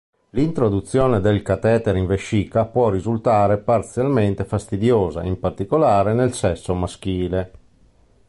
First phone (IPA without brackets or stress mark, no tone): l